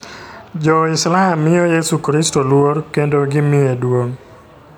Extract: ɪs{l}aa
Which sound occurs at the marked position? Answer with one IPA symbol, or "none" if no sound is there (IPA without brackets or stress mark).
l